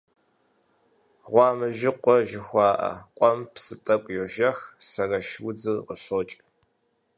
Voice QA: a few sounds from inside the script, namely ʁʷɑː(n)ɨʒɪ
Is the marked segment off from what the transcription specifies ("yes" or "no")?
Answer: yes